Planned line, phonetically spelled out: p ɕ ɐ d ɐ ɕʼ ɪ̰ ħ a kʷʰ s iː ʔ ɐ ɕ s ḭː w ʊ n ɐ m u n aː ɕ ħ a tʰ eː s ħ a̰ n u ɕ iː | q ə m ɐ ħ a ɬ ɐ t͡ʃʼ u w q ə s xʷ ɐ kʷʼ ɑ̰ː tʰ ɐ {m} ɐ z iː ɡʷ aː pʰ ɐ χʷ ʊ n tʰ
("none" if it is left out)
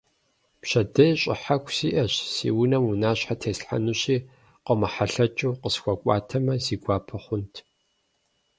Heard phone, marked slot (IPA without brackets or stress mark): m